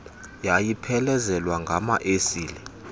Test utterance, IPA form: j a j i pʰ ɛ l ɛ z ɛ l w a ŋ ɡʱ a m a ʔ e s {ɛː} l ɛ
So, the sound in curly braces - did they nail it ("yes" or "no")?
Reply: no